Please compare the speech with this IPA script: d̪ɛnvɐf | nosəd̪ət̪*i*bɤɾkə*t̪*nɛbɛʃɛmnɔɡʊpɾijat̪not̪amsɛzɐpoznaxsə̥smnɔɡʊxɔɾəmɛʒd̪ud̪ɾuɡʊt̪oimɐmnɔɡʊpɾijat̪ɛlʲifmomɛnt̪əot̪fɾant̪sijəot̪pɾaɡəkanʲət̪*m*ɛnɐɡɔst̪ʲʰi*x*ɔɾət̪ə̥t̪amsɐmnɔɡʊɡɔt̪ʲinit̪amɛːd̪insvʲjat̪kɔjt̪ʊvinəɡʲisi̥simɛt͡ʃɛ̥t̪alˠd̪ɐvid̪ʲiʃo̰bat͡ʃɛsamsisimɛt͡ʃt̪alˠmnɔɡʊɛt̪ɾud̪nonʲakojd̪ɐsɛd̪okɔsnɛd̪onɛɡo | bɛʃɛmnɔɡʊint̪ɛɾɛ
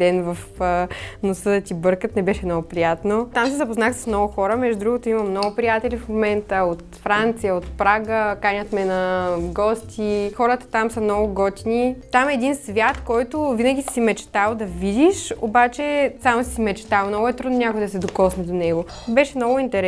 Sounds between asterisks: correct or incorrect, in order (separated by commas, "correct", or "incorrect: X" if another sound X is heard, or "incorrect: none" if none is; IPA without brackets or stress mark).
correct, correct, correct, correct